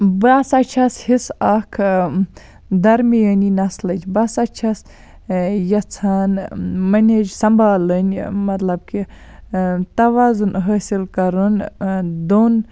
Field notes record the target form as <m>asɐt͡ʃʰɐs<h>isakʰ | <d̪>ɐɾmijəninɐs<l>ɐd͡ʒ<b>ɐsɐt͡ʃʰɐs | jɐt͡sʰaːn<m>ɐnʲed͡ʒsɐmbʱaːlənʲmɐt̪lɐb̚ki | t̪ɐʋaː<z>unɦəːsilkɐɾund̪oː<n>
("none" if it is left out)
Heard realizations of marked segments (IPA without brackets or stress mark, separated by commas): b, h, d̪, l, b, m, z, n